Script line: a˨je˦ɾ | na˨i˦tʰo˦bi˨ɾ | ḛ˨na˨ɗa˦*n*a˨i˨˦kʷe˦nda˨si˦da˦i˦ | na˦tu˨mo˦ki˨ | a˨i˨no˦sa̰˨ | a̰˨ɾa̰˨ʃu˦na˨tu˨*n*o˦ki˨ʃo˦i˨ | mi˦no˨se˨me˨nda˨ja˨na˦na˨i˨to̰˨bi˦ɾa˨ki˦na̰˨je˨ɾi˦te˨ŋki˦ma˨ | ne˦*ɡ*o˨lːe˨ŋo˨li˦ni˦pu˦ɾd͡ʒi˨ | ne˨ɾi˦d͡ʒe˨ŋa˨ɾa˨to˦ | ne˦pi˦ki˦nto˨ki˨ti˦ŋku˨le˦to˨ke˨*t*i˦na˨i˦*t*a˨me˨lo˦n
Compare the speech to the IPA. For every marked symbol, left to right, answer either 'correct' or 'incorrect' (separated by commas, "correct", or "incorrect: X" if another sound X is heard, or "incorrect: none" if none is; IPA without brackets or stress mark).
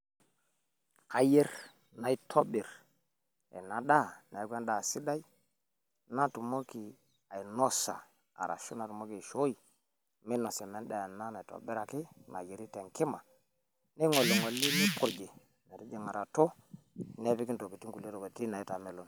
correct, incorrect: m, incorrect: ŋ, correct, correct